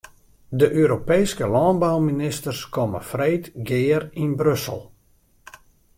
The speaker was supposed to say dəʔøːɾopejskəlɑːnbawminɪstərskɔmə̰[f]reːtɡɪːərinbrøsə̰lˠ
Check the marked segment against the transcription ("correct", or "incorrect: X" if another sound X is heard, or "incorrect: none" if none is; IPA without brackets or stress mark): correct